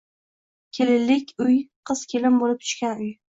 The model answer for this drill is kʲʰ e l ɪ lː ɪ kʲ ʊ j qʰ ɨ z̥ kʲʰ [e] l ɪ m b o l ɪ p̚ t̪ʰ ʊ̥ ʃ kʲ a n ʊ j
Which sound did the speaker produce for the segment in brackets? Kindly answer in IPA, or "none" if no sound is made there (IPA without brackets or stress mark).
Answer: e